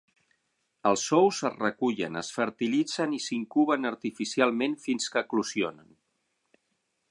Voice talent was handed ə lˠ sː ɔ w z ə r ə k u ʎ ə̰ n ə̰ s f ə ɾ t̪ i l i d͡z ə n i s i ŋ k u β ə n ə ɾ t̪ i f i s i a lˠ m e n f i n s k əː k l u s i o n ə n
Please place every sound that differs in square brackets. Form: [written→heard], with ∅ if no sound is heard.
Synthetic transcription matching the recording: ə lˠ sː ɔ w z ə r ə k u ʎ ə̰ n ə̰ s f ə ɾ t̪ i l i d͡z ə n i s i ŋ k u β ə n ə ɾ t̪ i f i s i a lˠ m e n f i n s k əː k l u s i o n ə n